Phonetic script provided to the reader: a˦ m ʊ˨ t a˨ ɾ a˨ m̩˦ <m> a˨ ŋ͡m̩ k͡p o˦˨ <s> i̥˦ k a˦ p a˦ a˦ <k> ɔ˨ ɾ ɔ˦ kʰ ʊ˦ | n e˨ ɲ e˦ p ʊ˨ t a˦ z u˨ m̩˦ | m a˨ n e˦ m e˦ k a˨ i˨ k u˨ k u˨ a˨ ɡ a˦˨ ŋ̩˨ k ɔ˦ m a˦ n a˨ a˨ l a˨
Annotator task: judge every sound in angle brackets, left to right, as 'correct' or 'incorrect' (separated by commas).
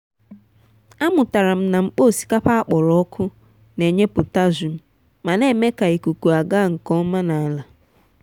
incorrect, correct, incorrect